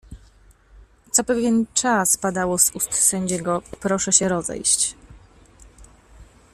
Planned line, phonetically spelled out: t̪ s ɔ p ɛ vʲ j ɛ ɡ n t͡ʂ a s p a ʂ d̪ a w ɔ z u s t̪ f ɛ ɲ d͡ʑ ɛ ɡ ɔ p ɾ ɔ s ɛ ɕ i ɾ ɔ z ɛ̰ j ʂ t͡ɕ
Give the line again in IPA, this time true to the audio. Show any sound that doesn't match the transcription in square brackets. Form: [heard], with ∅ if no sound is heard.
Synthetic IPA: t̪ s ɔ p ɛ vʲ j ɛ [∅] n t͡ʂ a s p a [∅] d̪ a w ɔ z u s t̪ [s] ɛ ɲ d͡ʑ ɛ ɡ ɔ p ɾ ɔ [ʂ] ɛ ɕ [ɛ] ɾ ɔ z ɛ̰ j [ɕ] t͡ɕ